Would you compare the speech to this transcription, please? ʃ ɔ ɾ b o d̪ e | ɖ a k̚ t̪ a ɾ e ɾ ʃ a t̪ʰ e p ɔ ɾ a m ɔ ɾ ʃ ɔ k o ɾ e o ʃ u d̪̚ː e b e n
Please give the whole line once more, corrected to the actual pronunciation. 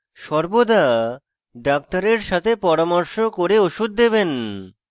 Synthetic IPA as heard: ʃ ɔ ɾ b o d̪ a | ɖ a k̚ t̪ a ɾ e ɾ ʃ a t̪ʰ e p ɔ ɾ a m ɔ ɾ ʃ o k o ɾ e o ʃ u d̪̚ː e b e n